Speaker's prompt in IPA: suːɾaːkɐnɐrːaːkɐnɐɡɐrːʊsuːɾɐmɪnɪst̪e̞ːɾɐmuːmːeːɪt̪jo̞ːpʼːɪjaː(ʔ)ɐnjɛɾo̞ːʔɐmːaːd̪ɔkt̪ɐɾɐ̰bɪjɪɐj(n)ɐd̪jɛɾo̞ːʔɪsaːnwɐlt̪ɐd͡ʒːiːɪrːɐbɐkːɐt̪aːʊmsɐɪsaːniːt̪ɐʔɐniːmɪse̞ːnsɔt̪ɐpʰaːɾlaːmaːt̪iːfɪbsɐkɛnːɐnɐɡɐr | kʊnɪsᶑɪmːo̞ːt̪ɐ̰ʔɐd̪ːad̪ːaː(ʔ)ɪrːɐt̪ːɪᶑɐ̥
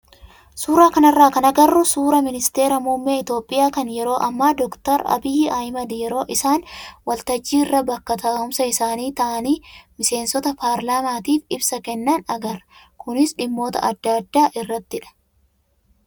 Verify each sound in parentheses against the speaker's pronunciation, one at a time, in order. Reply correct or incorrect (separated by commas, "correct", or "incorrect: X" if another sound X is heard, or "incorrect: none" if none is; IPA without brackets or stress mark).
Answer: incorrect: k, incorrect: m, correct